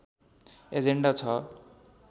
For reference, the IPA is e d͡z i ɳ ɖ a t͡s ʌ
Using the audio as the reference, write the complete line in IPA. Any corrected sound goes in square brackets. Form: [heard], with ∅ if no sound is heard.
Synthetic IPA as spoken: e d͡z [e] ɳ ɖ a [t͡sʰ] ʌ